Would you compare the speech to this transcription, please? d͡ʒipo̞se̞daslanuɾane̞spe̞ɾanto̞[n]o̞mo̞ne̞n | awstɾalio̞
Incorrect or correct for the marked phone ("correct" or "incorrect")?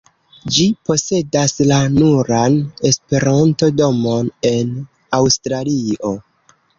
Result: incorrect